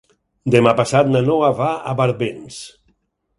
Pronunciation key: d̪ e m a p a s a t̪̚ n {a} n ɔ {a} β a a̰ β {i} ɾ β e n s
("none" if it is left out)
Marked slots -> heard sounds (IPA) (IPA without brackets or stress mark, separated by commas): a, a, a